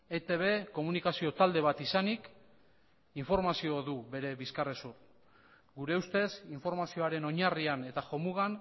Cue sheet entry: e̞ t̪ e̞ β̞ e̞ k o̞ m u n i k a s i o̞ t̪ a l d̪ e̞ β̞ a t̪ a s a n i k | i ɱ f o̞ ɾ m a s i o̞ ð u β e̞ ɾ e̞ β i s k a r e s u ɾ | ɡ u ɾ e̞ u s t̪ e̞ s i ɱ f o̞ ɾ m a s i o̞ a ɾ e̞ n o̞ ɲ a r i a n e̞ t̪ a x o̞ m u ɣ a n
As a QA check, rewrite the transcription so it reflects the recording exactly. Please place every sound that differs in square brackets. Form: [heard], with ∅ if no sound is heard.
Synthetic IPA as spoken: e̞ t̪ e̞ β̞ e̞ k o̞ m u n i k a s i o̞ t̪ a l d̪ e̞ β̞ a t̪ [i] s a n i k | i ɱ f o̞ ɾ m a s i o̞ ð u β e̞ ɾ e̞ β i s k a r e s u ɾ | ɡ u ɾ e̞ u s t̪ e̞ s i ɱ f o̞ ɾ m a s i o̞ a ɾ e̞ n o̞ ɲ a r i a n e̞ t̪ a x o̞ m u ɣ a n